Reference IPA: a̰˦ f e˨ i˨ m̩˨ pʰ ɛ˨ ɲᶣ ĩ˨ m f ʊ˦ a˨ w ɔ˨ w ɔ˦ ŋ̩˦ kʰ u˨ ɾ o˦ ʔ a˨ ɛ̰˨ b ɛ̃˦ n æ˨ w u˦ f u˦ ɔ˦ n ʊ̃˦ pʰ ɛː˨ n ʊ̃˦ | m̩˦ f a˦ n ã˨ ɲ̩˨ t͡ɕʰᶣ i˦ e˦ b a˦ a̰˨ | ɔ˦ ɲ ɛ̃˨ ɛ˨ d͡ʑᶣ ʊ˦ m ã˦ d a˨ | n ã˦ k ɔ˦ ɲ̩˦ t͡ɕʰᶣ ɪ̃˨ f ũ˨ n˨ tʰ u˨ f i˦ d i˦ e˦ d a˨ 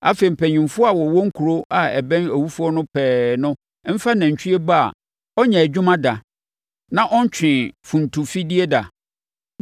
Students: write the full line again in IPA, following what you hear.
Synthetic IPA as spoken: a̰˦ f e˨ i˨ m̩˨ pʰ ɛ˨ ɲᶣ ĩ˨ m f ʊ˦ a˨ w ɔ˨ w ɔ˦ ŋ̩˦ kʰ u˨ ɾ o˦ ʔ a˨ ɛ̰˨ b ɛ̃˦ n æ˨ w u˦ f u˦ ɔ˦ n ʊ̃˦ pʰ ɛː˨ n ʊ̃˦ | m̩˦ f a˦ n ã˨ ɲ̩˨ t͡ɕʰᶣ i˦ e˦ b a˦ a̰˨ | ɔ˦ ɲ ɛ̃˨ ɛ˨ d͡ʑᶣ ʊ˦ m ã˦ d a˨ | n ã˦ ʔ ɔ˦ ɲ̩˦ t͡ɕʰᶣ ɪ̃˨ f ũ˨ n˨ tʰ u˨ f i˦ d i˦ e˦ d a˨